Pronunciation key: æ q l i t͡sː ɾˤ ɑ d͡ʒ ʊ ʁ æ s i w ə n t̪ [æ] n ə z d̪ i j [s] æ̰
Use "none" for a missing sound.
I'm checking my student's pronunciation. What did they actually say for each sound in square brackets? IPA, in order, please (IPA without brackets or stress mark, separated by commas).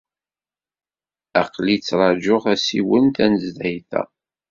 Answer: æ, θ